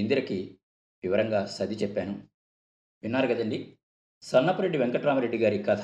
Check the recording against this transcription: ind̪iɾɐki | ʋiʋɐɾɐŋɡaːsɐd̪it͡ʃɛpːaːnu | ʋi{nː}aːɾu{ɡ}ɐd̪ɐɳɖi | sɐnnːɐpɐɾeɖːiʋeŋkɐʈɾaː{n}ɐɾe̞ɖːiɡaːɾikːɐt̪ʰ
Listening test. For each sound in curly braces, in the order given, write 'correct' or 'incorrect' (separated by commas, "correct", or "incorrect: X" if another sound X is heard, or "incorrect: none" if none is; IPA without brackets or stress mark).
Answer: correct, correct, incorrect: m